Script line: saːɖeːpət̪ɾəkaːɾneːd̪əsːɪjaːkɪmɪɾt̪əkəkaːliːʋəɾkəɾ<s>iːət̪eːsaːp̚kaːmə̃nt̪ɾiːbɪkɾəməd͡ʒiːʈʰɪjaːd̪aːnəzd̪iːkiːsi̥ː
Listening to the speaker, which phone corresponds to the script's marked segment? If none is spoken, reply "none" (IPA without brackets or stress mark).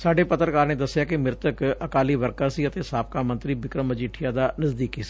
s